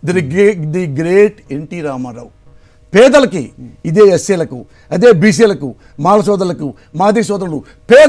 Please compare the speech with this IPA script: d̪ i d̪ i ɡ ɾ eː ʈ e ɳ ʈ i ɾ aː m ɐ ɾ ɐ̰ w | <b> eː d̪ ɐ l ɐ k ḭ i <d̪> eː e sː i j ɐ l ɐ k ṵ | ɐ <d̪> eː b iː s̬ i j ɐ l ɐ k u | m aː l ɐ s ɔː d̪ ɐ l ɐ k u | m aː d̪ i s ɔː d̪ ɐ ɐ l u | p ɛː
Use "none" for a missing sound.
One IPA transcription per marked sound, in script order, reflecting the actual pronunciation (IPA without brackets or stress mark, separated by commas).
p, d̪, d̪